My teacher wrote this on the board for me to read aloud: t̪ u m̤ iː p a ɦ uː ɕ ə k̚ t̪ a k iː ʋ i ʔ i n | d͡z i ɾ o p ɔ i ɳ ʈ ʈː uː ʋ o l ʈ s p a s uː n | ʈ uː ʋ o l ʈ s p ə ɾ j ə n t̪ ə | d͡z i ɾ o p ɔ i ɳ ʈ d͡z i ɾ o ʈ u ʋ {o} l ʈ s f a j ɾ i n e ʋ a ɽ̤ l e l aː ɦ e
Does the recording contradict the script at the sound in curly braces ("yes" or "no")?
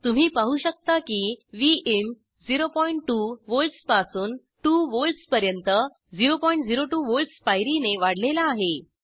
no